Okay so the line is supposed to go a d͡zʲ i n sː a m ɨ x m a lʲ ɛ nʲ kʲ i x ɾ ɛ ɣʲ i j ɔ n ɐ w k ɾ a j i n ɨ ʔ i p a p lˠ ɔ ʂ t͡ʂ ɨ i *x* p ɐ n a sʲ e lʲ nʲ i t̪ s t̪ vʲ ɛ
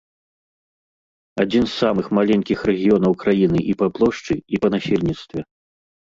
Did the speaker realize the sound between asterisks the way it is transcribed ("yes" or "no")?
no